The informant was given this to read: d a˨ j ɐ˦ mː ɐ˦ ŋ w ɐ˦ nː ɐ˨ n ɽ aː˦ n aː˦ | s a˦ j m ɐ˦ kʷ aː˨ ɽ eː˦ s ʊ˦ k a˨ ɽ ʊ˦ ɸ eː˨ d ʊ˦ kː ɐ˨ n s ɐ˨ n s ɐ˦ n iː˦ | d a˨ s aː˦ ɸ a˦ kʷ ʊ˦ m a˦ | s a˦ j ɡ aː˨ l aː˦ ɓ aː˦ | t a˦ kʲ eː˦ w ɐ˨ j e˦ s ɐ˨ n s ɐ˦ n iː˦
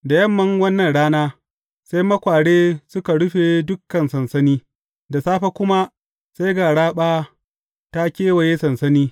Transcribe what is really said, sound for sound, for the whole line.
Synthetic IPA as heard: d a˨ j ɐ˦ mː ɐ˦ ŋ w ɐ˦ nː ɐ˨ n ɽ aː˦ n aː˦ | s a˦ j m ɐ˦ kʷ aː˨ ɽ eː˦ s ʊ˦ k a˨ ɽ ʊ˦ ɸ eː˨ d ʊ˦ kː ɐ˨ n s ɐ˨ n s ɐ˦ n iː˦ | d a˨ s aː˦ ɸ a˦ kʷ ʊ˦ m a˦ | s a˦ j ɡ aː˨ ɽ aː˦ ɓ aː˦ | t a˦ kʲ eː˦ w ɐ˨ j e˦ s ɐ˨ n s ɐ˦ n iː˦